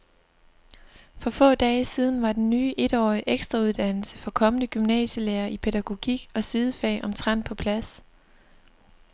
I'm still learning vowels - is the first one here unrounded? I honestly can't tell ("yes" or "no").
no